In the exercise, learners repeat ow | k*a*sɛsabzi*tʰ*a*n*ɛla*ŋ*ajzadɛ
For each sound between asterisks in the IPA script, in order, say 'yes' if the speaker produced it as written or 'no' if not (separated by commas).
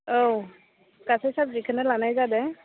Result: yes, no, yes, no